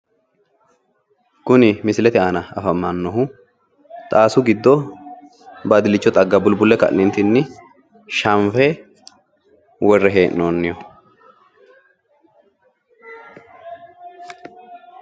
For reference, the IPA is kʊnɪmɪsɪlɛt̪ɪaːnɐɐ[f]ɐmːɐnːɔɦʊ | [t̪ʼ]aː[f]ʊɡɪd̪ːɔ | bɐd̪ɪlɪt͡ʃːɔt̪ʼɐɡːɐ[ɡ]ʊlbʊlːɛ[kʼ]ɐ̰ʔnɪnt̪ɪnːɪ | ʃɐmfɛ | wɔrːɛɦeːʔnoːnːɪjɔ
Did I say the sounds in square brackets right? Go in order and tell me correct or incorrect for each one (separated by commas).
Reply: correct, correct, incorrect, incorrect, incorrect